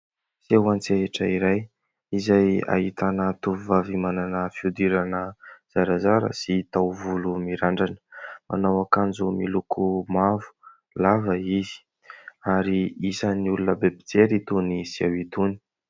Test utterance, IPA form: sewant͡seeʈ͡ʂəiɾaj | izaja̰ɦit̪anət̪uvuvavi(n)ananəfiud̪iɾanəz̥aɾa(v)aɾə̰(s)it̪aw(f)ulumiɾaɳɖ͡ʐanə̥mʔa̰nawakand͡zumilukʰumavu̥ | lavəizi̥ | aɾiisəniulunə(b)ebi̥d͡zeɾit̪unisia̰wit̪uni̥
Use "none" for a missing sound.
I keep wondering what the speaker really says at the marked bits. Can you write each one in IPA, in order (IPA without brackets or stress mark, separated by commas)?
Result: m, z, s, v, b